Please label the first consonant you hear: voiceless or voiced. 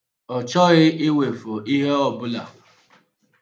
voiceless